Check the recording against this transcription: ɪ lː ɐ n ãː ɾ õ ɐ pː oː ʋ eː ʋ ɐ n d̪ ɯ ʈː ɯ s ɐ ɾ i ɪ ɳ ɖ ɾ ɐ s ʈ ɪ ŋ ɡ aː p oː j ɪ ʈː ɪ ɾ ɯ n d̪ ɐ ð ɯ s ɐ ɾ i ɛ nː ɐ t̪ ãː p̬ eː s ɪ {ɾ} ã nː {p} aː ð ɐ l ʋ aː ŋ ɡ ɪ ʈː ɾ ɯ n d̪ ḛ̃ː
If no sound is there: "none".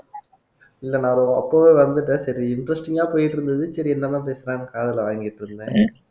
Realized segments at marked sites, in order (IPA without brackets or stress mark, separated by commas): ɾ, k